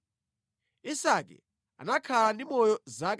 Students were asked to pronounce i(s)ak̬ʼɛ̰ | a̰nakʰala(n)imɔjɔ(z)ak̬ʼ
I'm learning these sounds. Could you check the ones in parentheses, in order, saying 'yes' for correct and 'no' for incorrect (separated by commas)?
yes, yes, yes